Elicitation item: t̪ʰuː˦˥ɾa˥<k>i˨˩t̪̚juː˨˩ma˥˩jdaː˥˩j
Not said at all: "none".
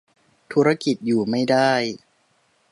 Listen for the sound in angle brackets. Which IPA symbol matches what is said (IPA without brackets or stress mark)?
k